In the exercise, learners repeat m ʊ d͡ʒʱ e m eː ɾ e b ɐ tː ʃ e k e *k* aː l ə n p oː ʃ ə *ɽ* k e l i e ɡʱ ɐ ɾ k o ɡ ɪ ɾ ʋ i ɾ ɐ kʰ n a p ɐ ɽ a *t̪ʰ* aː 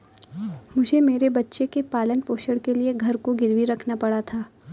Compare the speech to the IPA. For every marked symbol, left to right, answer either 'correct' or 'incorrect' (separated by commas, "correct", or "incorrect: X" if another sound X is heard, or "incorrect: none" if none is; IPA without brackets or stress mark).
incorrect: p, correct, correct